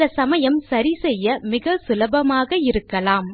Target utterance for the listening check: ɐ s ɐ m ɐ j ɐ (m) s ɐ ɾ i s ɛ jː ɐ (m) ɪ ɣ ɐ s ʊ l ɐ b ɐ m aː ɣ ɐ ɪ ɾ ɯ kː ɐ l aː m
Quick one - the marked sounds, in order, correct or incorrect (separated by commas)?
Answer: correct, correct